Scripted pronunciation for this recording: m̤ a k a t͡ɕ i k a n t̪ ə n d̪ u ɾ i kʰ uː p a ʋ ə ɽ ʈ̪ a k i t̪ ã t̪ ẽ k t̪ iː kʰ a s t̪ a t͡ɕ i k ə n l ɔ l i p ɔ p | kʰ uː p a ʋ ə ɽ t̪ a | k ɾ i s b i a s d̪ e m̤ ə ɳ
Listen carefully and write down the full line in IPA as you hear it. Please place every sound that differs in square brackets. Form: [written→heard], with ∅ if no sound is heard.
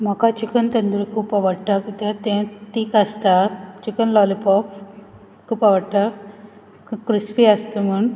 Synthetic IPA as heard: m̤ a k a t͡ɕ i k [a→ə] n t̪ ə n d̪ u ɾ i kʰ uː p a ʋ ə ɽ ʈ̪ a k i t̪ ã t̪ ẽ [k→∅] t̪ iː [kʰ→k] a s t̪ a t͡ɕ i k ə n l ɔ l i p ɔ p | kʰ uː p a ʋ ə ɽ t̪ a | k ɾ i s [b→p] i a s [d̪→t̪] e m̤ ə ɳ